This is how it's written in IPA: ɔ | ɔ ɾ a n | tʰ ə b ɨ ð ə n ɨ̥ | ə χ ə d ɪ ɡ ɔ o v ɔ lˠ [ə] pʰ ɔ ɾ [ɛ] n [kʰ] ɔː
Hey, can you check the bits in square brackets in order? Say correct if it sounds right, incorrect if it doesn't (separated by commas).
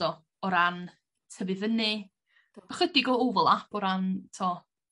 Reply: incorrect, incorrect, incorrect